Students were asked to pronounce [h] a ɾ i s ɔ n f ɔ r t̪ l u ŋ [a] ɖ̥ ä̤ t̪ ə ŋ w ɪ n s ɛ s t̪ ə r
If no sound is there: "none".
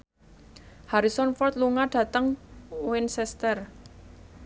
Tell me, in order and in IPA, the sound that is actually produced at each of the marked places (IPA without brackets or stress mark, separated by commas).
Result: h, a